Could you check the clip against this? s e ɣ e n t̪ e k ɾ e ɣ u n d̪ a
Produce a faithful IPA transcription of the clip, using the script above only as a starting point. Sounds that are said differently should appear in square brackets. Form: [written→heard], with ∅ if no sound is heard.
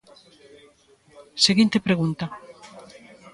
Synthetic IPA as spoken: s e ɣ [e→i] n t̪ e [k→p] ɾ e ɣ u n [d̪→t̪] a